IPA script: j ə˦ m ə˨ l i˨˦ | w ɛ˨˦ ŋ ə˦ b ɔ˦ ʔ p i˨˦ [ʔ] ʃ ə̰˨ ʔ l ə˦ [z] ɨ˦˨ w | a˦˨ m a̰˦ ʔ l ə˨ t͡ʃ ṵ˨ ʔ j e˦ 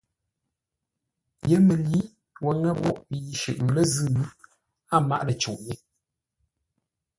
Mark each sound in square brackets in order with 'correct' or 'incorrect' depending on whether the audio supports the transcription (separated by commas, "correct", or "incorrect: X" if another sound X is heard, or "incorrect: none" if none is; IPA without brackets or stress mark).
incorrect: none, correct